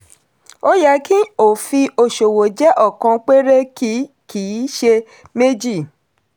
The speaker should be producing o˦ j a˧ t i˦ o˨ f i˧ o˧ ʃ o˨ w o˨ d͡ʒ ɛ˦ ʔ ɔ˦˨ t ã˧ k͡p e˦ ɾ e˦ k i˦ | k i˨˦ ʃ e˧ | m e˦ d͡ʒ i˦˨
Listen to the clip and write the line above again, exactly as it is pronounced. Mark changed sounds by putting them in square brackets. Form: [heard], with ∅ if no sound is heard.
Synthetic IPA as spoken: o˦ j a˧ [k] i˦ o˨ f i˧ o˧ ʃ o˨ w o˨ d͡ʒ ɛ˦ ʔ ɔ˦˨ [k] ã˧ k͡p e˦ ɾ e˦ k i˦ | k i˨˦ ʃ e˧ | m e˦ d͡ʒ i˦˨